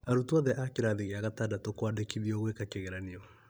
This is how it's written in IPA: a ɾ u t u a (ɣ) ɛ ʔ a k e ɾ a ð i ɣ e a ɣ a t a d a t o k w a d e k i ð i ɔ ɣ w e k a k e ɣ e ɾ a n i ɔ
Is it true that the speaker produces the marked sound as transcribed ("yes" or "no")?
no